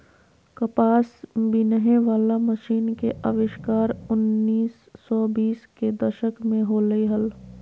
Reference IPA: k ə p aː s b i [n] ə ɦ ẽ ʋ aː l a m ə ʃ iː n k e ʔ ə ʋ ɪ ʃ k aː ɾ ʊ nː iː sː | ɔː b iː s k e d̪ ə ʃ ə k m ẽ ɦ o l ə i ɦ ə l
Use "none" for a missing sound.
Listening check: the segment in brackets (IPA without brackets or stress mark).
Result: n